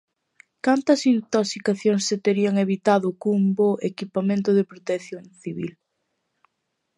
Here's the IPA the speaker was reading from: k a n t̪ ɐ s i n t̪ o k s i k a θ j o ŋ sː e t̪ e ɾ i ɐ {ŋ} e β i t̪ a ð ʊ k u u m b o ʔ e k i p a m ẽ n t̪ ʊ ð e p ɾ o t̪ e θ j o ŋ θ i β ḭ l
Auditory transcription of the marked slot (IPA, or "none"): ŋ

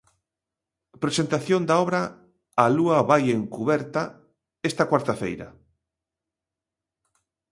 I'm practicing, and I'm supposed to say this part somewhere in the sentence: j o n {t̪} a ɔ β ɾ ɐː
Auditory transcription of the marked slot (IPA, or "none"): d̪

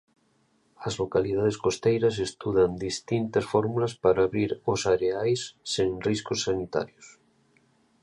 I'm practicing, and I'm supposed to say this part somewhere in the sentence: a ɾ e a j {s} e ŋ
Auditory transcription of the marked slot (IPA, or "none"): sː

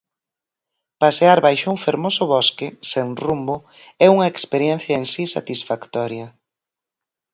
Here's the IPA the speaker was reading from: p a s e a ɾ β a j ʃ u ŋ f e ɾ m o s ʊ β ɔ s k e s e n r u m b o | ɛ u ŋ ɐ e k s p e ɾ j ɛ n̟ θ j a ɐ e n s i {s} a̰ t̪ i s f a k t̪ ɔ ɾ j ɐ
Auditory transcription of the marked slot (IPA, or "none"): s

